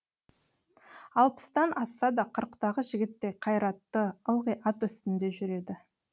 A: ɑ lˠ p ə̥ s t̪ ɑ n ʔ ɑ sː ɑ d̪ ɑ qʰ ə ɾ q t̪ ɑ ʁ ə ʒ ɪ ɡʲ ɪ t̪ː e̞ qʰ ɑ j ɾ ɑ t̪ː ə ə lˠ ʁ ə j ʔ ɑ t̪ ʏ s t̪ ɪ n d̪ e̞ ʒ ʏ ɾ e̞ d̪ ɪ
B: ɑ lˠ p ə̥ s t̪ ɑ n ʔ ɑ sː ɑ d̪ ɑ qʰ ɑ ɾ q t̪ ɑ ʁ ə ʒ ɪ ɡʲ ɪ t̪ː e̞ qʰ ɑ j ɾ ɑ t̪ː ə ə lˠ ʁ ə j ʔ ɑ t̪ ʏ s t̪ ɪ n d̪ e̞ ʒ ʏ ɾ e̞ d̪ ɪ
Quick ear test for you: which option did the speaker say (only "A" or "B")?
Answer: A